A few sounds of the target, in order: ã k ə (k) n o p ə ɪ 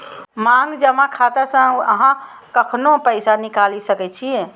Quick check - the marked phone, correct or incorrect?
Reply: incorrect: kʰ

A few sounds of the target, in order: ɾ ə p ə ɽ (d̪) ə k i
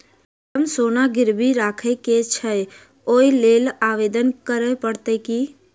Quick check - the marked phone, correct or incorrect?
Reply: incorrect: t̪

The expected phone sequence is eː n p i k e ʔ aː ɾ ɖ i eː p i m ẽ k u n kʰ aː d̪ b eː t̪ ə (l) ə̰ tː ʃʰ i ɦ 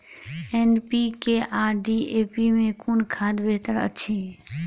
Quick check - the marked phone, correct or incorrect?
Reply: incorrect: ɾ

